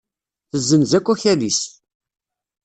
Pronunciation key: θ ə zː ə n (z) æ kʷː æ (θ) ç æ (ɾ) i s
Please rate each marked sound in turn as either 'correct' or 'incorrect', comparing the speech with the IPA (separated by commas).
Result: correct, incorrect, incorrect